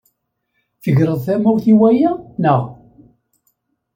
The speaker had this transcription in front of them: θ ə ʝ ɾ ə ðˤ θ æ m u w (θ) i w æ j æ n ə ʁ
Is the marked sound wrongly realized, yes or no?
no